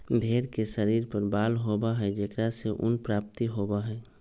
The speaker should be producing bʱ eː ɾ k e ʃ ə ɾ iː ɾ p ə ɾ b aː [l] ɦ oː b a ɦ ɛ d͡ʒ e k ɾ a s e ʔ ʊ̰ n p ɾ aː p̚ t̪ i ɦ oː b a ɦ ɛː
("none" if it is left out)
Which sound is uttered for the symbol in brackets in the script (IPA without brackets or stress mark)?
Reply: l